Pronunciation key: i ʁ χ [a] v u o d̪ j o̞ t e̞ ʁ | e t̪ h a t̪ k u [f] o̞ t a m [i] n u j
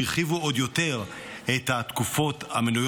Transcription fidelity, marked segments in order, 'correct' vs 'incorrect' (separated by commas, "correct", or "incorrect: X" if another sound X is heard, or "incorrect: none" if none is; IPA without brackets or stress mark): incorrect: i, correct, incorrect: e